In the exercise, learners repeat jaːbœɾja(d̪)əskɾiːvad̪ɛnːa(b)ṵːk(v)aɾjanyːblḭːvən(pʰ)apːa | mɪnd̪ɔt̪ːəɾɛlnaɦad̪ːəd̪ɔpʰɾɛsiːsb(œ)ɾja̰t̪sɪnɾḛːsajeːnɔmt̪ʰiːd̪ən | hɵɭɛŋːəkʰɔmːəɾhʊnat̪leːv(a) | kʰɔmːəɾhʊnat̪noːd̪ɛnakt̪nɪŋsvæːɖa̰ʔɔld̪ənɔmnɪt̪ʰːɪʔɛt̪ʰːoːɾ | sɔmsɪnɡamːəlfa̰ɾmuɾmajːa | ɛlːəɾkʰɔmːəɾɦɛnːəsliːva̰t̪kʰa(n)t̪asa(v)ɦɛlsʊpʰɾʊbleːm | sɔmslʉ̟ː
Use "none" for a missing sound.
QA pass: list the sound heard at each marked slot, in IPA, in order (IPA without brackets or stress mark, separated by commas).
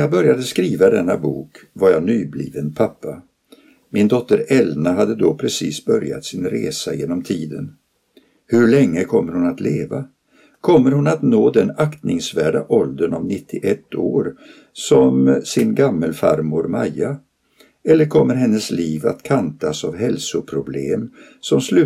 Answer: d̪, b, v, pʰ, œ, a, n, v